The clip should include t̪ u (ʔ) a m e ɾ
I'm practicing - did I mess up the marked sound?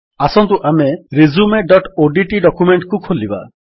no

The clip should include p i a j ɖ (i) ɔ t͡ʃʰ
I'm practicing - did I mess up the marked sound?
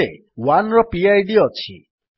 no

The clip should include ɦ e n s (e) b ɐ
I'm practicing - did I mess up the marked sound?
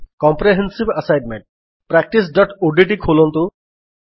yes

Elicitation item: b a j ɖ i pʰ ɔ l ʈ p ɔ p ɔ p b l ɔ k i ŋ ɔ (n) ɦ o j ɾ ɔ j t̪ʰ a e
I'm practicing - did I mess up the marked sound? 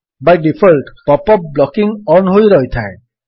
no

